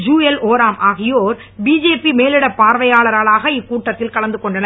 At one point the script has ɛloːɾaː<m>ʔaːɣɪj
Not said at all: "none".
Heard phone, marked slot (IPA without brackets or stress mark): m